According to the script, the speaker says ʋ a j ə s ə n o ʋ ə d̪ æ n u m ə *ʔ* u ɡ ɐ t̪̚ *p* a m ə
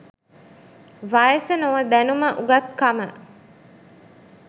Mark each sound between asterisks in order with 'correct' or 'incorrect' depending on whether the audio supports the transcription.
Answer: correct, incorrect

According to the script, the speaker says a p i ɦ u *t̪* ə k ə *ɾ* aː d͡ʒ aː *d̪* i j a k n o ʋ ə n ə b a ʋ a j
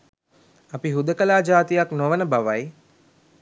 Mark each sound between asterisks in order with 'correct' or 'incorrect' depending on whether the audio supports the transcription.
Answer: incorrect, incorrect, incorrect

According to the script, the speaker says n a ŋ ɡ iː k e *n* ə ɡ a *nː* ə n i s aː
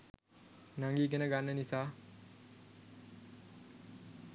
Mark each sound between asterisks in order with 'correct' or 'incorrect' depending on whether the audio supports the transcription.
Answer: correct, correct

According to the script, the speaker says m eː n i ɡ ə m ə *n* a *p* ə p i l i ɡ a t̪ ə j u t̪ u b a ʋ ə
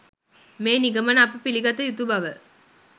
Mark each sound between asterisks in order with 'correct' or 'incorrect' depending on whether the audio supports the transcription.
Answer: correct, correct

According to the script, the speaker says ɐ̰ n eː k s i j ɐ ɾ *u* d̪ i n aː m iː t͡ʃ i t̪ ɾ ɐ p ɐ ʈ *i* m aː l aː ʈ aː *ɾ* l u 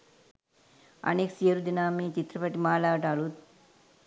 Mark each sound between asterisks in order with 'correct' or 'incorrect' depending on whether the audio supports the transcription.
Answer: correct, correct, incorrect

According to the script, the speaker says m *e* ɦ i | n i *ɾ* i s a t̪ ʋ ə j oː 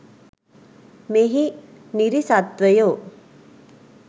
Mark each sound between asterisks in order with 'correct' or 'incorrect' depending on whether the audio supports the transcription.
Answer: correct, correct

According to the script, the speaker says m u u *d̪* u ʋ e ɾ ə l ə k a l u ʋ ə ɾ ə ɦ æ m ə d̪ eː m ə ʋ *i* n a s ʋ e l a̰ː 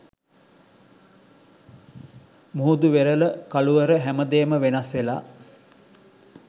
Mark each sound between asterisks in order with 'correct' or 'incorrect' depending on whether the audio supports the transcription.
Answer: correct, incorrect

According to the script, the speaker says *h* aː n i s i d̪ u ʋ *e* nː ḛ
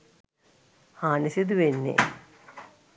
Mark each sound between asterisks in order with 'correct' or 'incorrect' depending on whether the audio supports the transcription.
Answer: correct, correct

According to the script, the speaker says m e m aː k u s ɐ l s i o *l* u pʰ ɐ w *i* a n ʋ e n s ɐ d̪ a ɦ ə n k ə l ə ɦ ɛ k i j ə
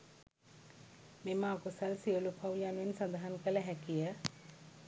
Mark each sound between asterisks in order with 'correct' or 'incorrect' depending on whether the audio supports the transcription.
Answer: correct, incorrect

